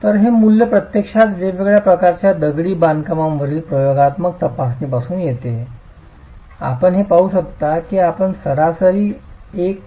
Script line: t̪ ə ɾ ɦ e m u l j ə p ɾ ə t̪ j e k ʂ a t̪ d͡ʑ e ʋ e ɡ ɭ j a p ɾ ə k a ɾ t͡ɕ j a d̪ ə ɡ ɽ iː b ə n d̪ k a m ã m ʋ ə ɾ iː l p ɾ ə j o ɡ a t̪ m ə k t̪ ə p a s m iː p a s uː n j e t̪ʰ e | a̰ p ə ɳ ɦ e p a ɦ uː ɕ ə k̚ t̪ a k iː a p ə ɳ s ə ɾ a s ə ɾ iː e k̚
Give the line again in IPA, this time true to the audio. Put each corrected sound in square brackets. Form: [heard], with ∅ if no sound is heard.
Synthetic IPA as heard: t̪ ə ɾ ɦ e m u l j ə p ɾ ə t̪ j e k ʂ a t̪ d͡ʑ e ʋ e ɡ ɭ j a p ɾ ə k a ɾ t͡ɕ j a d̪ ə ɡ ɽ iː b [a] n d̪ k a m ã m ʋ ə ɾ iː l p ɾ ə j o ɡ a t̪ m ə k t̪ ə p a s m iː p a s uː n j e [t̪] e | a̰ p ə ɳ ɦ e p a ɦ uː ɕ ə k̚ t̪ a k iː a p ə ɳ s ə ɾ a s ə ɾ iː e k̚